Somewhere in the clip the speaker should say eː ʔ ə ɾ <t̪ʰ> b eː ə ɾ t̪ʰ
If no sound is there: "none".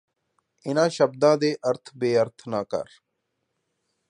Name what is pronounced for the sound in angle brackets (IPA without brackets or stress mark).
t̪ʰ